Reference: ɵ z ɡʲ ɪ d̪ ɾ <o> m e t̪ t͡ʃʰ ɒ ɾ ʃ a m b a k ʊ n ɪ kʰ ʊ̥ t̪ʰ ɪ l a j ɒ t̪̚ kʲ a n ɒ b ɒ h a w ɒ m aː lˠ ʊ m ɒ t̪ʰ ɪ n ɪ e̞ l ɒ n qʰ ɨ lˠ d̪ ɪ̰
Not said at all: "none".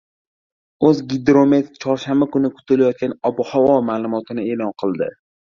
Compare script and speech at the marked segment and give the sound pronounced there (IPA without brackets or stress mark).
o